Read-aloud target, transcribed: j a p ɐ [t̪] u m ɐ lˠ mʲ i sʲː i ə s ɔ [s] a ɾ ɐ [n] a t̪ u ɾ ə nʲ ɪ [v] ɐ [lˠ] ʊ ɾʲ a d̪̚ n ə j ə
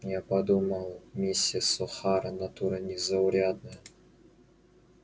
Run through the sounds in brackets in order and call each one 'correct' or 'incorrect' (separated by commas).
incorrect, incorrect, correct, incorrect, incorrect